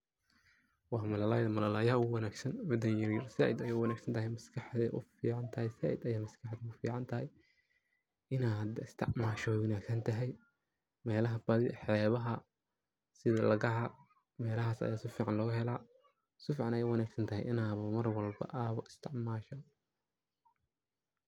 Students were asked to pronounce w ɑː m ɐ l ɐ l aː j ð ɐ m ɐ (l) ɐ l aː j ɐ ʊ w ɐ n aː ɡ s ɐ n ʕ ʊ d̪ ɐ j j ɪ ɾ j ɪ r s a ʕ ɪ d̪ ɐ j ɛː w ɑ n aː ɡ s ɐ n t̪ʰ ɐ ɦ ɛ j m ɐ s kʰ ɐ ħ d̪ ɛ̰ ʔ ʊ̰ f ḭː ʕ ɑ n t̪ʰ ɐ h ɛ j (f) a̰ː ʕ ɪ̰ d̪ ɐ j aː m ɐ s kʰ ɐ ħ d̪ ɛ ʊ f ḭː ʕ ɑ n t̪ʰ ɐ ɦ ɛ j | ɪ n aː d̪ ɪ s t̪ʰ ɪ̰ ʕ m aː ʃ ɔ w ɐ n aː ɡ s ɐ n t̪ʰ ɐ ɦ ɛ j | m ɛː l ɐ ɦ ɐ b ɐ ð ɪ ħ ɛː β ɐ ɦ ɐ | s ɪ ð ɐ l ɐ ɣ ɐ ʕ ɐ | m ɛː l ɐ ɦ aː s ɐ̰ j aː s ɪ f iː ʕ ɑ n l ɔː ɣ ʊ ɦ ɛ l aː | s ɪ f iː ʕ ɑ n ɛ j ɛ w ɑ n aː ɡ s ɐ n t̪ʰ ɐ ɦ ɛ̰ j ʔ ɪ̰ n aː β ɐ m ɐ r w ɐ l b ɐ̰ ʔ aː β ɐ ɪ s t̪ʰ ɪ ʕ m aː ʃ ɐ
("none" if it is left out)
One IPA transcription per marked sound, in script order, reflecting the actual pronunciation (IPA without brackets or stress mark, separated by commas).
l, s